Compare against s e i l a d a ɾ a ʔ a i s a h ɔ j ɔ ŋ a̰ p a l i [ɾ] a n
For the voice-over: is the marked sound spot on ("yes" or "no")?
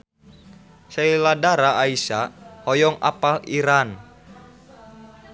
yes